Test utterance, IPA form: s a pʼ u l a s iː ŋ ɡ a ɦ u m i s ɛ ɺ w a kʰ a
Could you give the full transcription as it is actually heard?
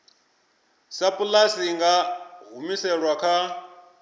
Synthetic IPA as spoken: s a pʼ u l a s i ŋ ɡ a ɦ u m i s ɛ ɺ w a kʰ a